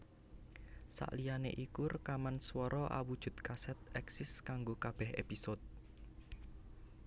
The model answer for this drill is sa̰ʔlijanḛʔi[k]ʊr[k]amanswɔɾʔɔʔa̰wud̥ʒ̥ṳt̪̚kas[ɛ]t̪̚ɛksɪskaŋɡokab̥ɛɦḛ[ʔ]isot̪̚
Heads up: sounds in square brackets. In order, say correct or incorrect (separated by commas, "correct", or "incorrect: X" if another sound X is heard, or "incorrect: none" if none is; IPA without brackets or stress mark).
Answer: correct, correct, correct, incorrect: p